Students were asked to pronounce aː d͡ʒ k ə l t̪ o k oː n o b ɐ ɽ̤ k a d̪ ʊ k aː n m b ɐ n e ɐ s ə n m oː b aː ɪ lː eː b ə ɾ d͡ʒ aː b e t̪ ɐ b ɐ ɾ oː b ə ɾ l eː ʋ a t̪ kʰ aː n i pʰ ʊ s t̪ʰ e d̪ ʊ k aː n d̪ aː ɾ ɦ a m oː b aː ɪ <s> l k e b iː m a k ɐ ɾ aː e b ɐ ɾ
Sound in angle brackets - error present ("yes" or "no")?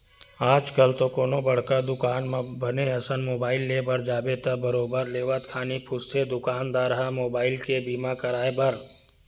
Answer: yes